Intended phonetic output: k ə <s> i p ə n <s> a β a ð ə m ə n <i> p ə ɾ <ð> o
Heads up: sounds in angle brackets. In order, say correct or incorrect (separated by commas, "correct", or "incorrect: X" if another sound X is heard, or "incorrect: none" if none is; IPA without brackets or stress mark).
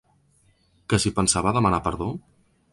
correct, correct, incorrect: a, correct